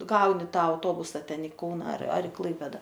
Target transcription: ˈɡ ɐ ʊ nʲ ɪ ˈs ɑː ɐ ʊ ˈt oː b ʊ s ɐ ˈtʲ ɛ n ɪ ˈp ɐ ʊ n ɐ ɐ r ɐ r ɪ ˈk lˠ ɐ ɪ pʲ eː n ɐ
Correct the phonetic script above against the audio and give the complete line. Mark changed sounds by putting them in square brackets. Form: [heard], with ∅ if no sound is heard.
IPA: ˈɡ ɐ ʊ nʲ ɪ [ˈt] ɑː ɐ ʊ ˈt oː b ʊ s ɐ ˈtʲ ɛ n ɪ [ˈk] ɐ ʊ n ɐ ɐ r ɐ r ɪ ˈk lˠ ɐ ɪ pʲ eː [d] ɐ